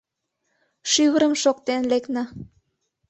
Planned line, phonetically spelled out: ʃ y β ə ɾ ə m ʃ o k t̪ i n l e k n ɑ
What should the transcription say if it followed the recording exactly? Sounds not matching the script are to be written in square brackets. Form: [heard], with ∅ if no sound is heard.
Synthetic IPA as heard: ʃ y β ə ɾ ə m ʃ o k t̪ [e] n l e k n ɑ